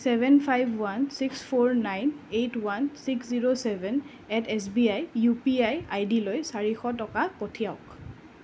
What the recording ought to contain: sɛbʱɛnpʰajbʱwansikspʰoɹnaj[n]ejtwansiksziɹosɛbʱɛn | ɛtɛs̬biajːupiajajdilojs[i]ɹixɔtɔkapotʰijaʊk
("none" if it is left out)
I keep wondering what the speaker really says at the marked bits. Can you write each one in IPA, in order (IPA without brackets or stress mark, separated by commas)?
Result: n, a